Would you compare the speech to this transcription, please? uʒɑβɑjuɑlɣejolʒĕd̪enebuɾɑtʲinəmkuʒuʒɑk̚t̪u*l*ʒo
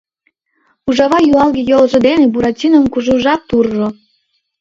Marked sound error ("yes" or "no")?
yes